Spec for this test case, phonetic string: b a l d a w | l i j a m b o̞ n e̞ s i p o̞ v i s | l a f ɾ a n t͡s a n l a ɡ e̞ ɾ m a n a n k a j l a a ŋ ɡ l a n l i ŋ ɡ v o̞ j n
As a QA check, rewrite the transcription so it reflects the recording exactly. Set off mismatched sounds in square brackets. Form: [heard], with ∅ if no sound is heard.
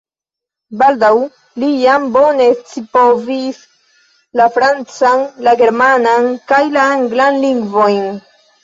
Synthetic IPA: b a l d a w | l i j a m b o̞ n e̞ [t͡s] i p o̞ v i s | l a f ɾ a n t͡s a n l a ɡ e̞ ɾ m a n a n k a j l a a ŋ ɡ l a n l i ŋ ɡ v o̞ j n

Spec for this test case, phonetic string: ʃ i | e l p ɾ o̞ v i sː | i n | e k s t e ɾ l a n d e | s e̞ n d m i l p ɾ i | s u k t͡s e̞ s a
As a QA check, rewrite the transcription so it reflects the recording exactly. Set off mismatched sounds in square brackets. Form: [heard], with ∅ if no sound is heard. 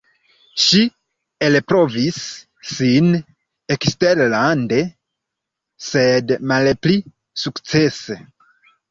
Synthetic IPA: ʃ i | e l p ɾ o̞ v i sː | i n | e k s t e ɾ l a n d e | s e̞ [∅] d m [a] l p [l] i | s u k t͡s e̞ s [e]

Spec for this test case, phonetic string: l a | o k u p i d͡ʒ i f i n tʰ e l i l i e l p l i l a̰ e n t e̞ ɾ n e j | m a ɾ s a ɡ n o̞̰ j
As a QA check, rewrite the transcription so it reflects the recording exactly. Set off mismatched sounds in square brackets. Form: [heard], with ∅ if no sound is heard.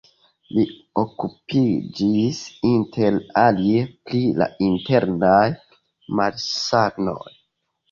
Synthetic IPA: l [i] | o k u p i d͡ʒ i [s] i n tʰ e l [a] l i e [∅] p l i l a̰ [i] n t e̞ ɾ n [a] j | m a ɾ s a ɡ n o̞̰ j

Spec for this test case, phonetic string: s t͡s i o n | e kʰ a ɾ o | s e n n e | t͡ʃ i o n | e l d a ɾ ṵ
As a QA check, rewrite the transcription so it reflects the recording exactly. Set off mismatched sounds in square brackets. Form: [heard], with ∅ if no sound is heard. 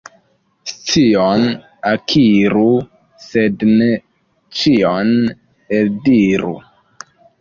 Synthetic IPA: s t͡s i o n | [a] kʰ [i] ɾ [u] | s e [d] n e | t͡ʃ i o n | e l d [i] ɾ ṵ

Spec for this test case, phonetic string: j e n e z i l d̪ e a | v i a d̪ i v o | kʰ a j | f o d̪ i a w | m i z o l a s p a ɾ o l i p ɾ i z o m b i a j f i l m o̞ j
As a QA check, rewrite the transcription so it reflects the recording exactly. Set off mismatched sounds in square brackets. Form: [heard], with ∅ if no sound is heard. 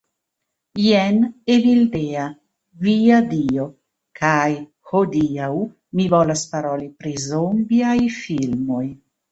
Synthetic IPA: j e n e [v] i l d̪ e a | v i a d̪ i [∅] o | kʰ a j | [h] o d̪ i a w | m i [v] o l a s p a ɾ o l i p ɾ i z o m b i a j f i l m o̞ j

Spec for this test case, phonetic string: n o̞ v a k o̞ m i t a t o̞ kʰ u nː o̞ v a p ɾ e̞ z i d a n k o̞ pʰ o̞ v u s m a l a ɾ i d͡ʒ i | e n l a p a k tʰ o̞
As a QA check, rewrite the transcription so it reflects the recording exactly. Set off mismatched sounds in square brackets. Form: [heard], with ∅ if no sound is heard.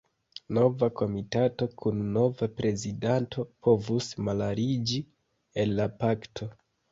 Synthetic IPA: n o̞ v a k o̞ m i t a t o̞ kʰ u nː o̞ v a p ɾ e̞ z i d a n [t] o̞ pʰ o̞ v u s m a l a ɾ i d͡ʒ i | e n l a p a k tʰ o̞

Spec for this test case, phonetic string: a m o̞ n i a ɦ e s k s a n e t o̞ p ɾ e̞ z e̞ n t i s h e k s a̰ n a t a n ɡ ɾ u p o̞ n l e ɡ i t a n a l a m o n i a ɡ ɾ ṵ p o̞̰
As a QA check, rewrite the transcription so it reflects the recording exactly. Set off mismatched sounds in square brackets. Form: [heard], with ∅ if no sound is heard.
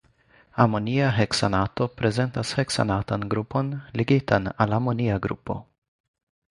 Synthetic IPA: a m o̞ n i a ɦ e [∅] k s a n [a] t o̞ p ɾ e̞ z e̞ n t [a] s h e k s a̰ n a t a n ɡ ɾ u p o̞ n l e ɡ i t a n a l a m o n i a ɡ ɾ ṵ p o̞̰

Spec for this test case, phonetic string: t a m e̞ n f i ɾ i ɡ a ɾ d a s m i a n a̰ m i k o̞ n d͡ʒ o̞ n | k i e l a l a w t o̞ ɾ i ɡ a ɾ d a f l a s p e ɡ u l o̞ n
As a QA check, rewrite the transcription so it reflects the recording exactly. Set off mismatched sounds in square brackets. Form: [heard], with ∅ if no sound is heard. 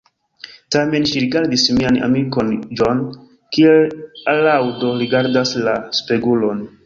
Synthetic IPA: t a m e̞ n [ʃ] i ɾ i ɡ a ɾ d [i] s m i a n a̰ m i k o̞ n d͡ʒ o̞ n | k i e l a l a w [d] o̞ ɾ i ɡ a ɾ d a [s] l a s p e ɡ u l o̞ n

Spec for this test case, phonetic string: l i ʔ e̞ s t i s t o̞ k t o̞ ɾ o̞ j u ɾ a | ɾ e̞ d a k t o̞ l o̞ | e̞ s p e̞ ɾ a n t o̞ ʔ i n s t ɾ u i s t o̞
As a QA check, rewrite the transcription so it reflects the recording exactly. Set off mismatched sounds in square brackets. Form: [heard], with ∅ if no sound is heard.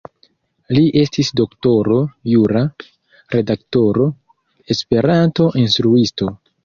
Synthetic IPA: l i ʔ e̞ s t i s [d] o̞ k t o̞ ɾ o̞ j u ɾ a | ɾ e̞ d a k t o̞ [ɾ] o̞ | e̞ s p e̞ ɾ a n t o̞ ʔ i n s t ɾ u i s t o̞

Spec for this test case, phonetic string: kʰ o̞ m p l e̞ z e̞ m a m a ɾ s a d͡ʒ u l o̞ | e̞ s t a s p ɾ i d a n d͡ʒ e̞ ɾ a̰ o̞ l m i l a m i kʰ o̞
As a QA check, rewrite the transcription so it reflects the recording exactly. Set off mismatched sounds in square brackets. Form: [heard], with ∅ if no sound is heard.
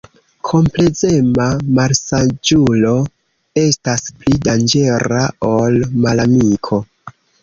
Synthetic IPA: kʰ o̞ m p l e̞ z e̞ m a m a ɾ s a d͡ʒ u l o̞ | e̞ s t a s p [l] i d a n d͡ʒ e̞ ɾ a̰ o̞ l m [a] l a m i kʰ o̞

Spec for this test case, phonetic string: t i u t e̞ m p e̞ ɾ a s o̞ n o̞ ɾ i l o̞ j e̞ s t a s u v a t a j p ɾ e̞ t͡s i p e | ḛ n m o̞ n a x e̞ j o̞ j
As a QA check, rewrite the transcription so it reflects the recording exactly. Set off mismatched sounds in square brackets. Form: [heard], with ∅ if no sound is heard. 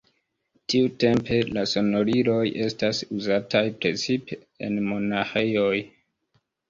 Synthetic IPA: t i u t e̞ m p e̞ [l] a s o̞ n o̞ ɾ i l o̞ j e̞ s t a s u [z] a t a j p ɾ e̞ t͡s i p e | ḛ n m o̞ n a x e̞ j o̞ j

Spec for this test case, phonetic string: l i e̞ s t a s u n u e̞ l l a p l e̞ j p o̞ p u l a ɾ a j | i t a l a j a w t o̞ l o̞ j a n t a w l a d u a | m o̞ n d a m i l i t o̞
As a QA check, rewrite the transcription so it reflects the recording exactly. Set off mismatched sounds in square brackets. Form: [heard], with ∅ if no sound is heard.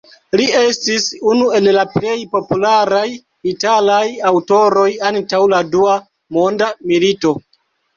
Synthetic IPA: l i e̞ s t [i] s u n u e̞ l l a p l e̞ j p o̞ p u l a ɾ a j | i t a l a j a w t o̞ [ɾ] o̞ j a n t a w l a d u a | m o̞ n d a m i l i t o̞

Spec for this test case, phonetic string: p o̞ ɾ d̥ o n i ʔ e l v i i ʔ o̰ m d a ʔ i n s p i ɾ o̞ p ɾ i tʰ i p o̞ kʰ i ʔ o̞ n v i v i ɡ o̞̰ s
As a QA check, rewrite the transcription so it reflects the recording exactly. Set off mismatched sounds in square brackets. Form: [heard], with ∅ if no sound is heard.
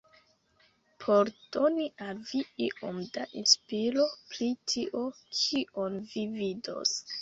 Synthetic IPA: [pʰ] o̞ ɾ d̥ o n i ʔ [a] l v i i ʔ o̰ m d a ʔ i n s p i ɾ o̞ p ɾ i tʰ i [ʔ] o̞ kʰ i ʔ o̞ n v i v i [d] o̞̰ s

